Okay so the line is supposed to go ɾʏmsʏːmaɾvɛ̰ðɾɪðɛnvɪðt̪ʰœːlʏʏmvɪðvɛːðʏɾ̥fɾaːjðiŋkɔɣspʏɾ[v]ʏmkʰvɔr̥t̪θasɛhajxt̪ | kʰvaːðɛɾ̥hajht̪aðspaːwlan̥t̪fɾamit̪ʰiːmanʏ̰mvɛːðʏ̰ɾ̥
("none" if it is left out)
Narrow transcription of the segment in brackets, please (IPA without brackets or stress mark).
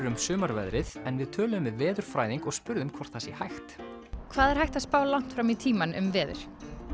ð